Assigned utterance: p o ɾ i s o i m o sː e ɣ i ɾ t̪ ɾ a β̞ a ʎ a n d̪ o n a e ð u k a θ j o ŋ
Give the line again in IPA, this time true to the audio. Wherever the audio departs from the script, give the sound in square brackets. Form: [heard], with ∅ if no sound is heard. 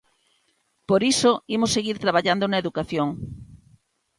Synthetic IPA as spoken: p o ɾ i s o i m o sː e ɣ i ɾ t̪ ɾ a β̞ a ʎ a n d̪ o n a e ð u k a θ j o ŋ